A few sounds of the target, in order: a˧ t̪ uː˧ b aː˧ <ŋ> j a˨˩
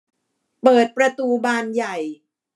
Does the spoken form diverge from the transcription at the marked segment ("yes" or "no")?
yes